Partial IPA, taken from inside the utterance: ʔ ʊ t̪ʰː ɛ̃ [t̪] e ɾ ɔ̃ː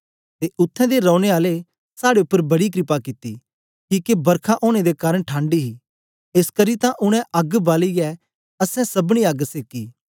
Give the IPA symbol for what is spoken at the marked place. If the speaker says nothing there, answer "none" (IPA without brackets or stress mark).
d̪